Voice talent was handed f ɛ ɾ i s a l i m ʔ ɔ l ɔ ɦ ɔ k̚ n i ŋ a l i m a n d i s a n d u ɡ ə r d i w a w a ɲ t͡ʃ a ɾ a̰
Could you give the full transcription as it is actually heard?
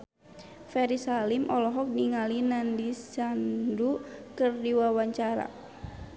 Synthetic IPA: f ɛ ɾ i s a l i m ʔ ɔ l ɔ ɦ ɔ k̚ n i ŋ a l i n a n d i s a n d u k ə r d i w a w a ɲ t͡ʃ a ɾ a̰